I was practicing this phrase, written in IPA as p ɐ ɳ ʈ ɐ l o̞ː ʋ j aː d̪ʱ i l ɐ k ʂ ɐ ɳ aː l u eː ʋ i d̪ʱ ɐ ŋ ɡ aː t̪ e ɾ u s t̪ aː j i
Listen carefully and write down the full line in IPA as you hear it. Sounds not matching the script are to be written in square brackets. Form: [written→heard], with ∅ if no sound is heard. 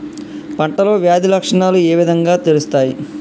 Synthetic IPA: p ɐ ɳ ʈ ɐ l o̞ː ʋ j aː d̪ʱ i l ɐ k ʂ ɐ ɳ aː l u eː ʋ i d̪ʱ ɐ ŋ ɡ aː t̪ e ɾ u s t̪ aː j i

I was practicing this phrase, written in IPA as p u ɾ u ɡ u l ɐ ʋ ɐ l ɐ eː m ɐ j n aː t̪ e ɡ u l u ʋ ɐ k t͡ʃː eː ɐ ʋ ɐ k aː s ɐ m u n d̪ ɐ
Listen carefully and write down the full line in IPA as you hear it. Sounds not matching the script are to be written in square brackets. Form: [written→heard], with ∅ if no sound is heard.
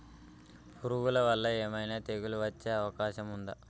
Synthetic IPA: p u ɾ u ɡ u l ɐ ʋ ɐ [l→lː] ɐ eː m ɐ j n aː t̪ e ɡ u l u ʋ ɐ [k→∅] t͡ʃː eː ɐ ʋ ɐ k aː [s→ʃ] ɐ m u n d̪ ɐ

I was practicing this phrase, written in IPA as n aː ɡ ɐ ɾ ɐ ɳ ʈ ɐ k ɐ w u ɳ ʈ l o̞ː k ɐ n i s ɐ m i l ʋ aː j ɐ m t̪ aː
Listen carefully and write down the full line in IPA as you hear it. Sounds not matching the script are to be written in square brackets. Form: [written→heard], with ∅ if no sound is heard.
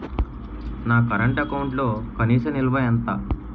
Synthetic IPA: n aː [ɡ→k] ɐ ɾ ɐ ɳ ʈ ɐ k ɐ w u ɳ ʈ l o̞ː k ɐ n [i→iː] s ɐ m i l ʋ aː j ɐ [m→n] t̪ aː

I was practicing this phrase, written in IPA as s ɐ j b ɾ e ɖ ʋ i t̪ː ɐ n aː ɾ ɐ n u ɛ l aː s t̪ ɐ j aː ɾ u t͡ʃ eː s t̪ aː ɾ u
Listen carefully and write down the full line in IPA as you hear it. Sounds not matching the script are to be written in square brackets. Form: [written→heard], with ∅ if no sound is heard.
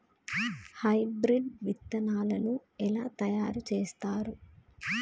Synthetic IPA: [s→h] ɐ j b ɾ [e→i] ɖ ʋ i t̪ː ɐ n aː [ɾ→l] ɐ n u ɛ l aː [s→∅] t̪ ɐ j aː ɾ u t͡ʃ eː s t̪ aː ɾ u

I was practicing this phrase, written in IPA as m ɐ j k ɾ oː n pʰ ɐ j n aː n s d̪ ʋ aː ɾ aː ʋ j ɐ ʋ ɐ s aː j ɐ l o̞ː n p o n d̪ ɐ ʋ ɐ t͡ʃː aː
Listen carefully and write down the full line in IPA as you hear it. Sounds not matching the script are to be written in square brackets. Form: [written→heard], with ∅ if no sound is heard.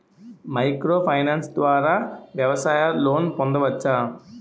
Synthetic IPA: m ɐ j k ɾ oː [n→∅] pʰ ɐ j n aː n s d̪ ʋ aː ɾ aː ʋ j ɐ ʋ ɐ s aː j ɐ l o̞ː n p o n d̪ ɐ ʋ ɐ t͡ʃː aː

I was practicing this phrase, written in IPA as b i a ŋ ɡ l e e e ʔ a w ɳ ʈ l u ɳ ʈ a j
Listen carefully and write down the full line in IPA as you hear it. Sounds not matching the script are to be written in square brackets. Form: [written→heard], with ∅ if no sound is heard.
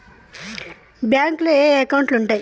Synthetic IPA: b [i→j] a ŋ [ɡ→k] l e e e [ʔ→k] a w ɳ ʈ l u ɳ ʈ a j

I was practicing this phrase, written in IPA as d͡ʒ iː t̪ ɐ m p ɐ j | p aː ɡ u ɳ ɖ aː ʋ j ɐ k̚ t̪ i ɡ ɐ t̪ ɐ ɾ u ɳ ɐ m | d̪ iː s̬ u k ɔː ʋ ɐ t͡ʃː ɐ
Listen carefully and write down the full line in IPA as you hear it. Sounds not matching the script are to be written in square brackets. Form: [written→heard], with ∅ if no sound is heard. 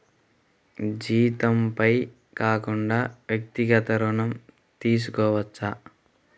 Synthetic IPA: d͡ʒ iː t̪ ɐ m p ɐ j | [p→k] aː [ɡ→k] u ɳ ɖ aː ʋ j ɐ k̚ t̪ i ɡ ɐ t̪ ɐ ɾ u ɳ ɐ m | [d̪→t̪] iː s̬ u k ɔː ʋ ɐ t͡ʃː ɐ

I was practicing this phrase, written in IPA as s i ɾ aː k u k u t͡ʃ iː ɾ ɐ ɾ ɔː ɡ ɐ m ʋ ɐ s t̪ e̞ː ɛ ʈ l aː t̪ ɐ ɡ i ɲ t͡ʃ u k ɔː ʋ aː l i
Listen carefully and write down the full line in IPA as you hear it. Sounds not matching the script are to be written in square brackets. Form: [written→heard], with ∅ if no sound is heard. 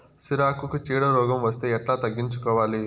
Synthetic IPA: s i ɾ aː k u k u t͡ʃ iː [ɾ→ɽ] ɐ ɾ ɔː ɡ ɐ m ʋ ɐ s t̪ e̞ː ɛ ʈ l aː t̪ ɐ [ɡ→ɡː] i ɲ t͡ʃ u k ɔː ʋ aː l i

